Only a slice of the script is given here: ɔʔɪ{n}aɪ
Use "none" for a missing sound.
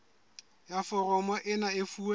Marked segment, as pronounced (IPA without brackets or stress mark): n